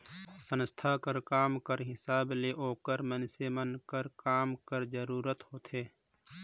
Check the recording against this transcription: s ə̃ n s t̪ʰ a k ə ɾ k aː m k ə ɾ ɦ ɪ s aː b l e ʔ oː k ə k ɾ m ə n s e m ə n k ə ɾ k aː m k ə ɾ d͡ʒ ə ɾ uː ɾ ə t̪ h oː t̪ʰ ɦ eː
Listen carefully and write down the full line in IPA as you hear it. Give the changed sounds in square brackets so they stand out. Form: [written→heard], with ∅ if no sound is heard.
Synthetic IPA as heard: s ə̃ n s t̪ʰ a k ə ɾ k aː m k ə ɾ ɦ ɪ s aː b l e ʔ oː k ə [k→∅] ɾ m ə n s e m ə n k ə ɾ k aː m k ə ɾ d͡ʒ ə ɾ uː ɾ ə t̪ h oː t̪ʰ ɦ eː